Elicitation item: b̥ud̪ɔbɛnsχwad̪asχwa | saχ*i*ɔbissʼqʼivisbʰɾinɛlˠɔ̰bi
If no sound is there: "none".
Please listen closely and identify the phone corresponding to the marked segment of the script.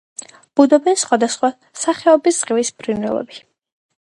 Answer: ɛ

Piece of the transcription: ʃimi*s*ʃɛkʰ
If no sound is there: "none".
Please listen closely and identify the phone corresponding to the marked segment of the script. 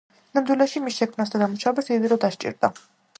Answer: s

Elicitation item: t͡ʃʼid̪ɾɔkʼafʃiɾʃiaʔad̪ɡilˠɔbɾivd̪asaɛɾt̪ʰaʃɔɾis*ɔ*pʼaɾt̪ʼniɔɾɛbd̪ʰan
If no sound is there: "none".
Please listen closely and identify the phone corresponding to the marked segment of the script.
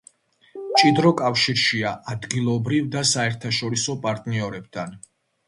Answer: ɔ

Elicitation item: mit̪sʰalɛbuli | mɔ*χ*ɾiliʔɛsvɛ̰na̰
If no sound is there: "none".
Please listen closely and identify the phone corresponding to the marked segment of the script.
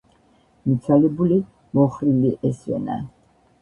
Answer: χ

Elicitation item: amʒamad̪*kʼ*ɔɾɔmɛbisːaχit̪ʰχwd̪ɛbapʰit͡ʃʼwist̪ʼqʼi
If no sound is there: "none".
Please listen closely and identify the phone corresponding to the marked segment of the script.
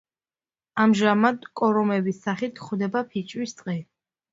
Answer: kʼ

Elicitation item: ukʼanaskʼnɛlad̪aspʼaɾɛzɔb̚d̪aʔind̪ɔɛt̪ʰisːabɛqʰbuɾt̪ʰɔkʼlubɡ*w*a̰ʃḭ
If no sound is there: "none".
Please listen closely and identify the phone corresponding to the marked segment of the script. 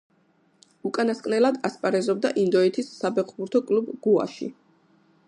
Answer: u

